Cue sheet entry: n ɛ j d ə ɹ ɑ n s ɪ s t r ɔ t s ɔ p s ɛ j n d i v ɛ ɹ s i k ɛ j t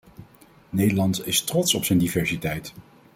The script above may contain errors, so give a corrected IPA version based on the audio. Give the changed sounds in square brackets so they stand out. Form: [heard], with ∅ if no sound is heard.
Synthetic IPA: n [e] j d ə [l] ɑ n [t] ɪ s t r ɔ t s ɔ p s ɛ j n d i v ɛ ɹ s i [t] ɛ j t